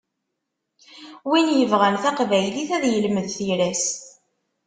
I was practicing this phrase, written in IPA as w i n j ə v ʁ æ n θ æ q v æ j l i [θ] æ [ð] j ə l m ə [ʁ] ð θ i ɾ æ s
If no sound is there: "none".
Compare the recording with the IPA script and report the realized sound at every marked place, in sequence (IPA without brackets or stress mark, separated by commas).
θ, ð, none